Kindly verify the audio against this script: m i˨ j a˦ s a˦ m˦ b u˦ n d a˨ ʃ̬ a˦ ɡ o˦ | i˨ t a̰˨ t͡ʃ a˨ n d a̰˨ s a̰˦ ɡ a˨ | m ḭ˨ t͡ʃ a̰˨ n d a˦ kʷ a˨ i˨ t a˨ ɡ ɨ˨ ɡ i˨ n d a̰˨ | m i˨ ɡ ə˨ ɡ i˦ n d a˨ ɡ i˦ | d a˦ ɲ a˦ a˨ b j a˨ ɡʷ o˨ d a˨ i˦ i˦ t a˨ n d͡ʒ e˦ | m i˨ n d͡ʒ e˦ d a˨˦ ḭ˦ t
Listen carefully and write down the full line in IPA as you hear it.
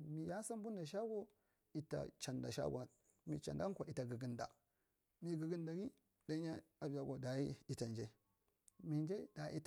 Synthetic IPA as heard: m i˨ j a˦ s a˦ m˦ b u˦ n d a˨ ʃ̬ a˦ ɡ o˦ | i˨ t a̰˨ t͡ʃ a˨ n d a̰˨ ʃ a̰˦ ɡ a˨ | m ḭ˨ t͡ʃ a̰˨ n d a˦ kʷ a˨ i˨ t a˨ ɡ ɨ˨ ɡ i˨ n d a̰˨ | m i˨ ɡ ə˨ ɡ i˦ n d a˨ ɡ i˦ | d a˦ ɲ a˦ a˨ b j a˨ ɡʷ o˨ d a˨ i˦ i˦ t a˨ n d͡ʒ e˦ | m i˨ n d͡ʒ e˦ d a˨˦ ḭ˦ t

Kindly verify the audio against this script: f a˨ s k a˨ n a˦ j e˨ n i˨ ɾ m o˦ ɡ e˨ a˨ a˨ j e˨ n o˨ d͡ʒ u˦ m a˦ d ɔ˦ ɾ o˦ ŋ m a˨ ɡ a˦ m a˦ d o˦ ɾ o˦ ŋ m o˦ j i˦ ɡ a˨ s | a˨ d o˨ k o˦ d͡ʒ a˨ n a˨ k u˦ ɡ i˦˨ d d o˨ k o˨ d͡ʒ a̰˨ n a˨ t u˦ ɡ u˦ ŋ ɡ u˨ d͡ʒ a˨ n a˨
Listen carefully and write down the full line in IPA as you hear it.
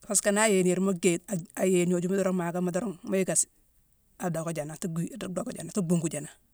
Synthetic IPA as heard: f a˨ s k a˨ n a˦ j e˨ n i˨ ɾ m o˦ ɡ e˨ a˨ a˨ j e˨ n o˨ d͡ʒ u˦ m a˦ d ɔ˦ ɾ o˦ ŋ m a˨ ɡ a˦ m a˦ d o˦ ɾ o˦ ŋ m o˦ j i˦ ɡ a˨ s | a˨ d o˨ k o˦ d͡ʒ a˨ n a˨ t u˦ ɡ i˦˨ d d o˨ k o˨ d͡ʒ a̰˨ n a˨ t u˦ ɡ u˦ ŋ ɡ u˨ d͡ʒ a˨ n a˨

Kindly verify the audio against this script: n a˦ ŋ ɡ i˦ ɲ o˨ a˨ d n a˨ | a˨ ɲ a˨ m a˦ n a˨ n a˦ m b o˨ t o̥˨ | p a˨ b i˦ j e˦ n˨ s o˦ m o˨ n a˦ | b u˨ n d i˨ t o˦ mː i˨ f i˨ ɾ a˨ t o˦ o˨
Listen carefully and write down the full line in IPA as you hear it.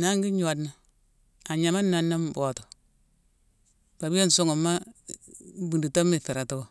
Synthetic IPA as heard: n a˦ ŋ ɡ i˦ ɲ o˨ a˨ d n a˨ | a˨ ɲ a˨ m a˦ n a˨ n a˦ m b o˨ t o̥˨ | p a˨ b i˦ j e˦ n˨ s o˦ ŋ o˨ m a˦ | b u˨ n d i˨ t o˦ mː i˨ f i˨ ɾ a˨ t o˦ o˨

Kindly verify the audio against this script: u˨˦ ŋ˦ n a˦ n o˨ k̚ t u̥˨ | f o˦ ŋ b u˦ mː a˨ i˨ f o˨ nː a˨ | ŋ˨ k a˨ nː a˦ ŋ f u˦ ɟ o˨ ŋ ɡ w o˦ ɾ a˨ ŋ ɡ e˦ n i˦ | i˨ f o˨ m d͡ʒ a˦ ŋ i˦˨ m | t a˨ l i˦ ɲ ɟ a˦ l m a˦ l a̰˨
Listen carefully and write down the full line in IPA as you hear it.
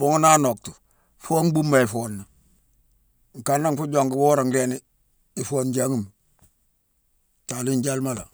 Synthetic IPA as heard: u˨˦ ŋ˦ n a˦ n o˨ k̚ t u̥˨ | f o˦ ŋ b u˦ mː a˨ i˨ f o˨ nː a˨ | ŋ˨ k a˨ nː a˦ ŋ f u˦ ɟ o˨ ŋ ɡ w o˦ ɾ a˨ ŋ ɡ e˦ n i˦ | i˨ f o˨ n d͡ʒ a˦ ŋ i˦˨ m | t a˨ l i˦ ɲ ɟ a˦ l m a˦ l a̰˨

